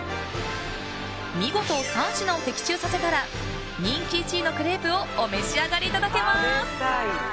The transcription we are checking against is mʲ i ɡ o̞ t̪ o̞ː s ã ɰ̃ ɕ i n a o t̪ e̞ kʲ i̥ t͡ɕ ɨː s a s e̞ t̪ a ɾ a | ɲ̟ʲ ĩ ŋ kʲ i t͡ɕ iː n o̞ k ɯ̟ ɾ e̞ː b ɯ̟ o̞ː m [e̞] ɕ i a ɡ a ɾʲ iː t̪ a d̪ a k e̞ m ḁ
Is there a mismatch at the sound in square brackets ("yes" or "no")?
no